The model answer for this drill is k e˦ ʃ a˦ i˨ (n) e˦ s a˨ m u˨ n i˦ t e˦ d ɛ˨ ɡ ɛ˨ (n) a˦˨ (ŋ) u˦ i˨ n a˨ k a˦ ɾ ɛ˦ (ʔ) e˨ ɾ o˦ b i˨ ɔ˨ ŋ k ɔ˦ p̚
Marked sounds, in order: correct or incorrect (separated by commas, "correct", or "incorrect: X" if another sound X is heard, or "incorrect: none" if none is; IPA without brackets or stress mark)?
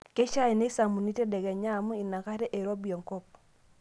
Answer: correct, incorrect: ɲ, incorrect: m, correct